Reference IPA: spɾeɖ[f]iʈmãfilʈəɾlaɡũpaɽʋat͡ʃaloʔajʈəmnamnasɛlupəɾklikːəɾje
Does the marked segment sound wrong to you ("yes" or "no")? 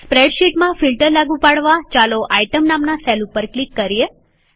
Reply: yes